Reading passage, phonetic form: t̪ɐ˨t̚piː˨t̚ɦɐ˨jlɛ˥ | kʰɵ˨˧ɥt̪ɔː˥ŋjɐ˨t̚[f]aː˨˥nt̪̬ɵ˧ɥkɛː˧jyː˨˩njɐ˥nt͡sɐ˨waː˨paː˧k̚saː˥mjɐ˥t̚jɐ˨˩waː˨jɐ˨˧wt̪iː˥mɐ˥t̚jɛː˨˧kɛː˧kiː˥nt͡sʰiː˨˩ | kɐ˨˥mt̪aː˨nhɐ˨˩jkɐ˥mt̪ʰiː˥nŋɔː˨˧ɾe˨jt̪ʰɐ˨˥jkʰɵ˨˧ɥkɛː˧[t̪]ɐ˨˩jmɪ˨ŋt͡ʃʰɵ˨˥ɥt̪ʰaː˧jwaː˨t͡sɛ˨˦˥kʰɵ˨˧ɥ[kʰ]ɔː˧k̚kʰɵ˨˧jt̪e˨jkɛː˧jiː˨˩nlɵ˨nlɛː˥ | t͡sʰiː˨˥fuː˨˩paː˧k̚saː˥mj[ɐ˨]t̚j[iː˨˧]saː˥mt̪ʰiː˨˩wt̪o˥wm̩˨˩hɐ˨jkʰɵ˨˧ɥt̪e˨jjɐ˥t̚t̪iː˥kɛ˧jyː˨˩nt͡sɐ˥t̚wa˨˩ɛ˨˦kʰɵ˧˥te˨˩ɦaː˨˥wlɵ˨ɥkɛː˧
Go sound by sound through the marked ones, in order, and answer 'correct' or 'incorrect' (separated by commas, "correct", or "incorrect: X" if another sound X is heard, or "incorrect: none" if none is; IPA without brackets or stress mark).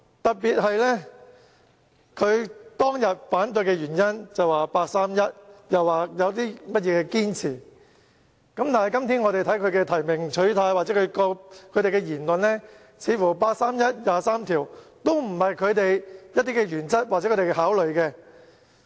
correct, incorrect: t̪ʰ, incorrect: k, incorrect: ɐ˥, incorrect: aː˨˧